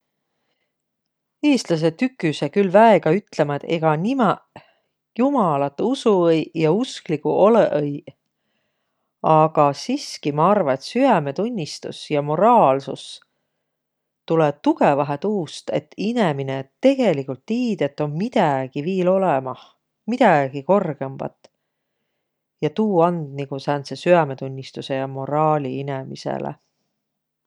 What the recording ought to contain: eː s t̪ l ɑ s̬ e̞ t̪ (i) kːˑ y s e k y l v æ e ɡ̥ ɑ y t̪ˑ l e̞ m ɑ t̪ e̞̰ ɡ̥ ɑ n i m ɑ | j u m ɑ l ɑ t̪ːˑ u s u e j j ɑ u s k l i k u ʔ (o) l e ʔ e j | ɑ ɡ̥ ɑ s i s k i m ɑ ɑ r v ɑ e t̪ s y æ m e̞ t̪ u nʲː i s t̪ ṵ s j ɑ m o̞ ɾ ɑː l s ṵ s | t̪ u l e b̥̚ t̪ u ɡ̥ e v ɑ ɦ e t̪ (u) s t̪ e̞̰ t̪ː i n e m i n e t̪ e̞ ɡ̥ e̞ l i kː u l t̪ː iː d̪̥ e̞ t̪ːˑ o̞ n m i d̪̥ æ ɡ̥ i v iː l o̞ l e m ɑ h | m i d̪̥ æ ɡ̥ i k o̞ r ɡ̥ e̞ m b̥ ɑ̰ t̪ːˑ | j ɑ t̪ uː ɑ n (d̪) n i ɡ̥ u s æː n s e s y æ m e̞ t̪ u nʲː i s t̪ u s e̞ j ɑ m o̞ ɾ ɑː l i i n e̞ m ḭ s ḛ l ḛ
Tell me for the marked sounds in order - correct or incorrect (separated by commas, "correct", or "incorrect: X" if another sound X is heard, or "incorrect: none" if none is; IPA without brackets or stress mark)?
incorrect: y, correct, incorrect: uː, correct